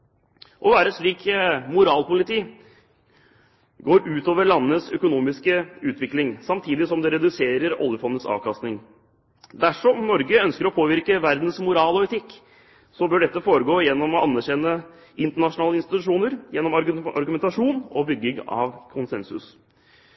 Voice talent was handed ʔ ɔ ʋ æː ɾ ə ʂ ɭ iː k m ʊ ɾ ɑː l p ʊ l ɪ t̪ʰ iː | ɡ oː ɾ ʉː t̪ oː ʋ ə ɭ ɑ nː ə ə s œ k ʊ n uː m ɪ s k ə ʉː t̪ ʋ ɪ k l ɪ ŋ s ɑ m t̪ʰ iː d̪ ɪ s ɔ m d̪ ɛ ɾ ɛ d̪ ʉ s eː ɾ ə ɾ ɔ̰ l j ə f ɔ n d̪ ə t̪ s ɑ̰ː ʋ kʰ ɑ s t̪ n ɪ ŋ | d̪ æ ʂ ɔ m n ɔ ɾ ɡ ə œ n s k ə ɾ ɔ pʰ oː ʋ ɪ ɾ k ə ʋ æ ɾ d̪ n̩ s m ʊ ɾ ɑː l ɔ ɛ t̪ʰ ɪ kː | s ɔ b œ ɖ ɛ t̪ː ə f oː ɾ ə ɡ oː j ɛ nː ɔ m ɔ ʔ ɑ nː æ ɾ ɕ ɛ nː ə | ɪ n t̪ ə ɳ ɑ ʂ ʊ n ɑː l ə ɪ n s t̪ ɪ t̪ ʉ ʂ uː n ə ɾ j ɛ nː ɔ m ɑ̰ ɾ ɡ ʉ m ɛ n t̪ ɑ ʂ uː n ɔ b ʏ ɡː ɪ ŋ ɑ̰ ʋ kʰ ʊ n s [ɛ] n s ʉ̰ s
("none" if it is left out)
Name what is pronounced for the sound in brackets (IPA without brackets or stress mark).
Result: ɛ